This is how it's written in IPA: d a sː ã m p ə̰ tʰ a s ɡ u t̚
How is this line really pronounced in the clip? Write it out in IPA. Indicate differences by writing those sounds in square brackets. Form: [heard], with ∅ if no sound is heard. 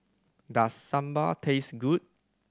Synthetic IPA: d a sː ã m [b] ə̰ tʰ [e] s ɡ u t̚